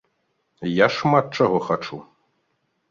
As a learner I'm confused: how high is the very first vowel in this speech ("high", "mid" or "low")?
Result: low